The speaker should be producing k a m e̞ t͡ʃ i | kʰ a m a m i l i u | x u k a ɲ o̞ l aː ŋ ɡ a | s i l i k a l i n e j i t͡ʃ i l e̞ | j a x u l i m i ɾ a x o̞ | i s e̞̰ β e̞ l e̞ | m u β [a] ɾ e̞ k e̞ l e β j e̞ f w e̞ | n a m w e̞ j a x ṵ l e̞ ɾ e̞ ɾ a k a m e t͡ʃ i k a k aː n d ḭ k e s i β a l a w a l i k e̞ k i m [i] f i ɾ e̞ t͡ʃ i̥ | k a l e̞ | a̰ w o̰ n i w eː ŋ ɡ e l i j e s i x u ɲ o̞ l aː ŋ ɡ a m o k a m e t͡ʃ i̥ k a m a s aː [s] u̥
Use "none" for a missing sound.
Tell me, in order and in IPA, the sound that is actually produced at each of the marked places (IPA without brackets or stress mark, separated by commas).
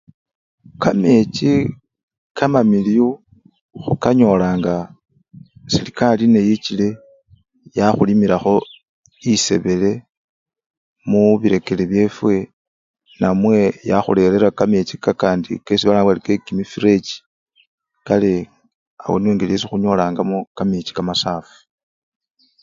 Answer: i, i, f